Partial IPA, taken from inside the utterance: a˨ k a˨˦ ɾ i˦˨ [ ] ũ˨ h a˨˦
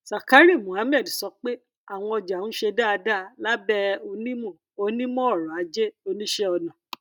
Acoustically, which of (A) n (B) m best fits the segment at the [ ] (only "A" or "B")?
B